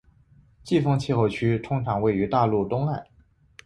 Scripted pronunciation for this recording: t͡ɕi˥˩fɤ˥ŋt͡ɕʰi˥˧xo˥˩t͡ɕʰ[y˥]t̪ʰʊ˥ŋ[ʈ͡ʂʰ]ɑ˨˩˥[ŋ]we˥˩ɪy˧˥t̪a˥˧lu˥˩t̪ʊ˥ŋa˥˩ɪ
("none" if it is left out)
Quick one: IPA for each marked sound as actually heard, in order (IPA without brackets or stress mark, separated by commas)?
y˥, ʈ͡ʂʰ, ŋ